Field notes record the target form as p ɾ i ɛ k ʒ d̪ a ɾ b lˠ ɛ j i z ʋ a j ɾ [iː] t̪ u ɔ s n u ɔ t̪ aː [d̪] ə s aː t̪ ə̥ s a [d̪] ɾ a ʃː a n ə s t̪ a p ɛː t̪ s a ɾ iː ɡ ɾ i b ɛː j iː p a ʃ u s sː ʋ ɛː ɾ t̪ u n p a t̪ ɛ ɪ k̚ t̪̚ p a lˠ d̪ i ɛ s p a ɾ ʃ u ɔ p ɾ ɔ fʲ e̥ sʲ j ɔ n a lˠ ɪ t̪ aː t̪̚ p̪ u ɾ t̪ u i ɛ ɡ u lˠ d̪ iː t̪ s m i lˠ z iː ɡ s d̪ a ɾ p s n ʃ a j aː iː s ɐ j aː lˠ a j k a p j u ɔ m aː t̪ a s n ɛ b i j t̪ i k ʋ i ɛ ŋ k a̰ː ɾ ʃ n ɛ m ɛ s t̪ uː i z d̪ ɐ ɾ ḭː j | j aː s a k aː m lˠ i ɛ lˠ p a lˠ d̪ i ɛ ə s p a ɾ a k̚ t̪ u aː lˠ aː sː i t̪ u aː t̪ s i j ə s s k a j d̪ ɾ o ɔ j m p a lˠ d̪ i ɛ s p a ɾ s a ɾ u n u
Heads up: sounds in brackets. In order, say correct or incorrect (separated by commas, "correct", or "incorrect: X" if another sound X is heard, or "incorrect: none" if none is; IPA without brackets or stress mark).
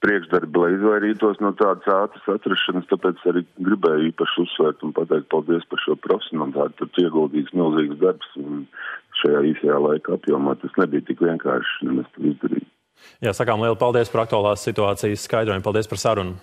correct, correct, incorrect: t̪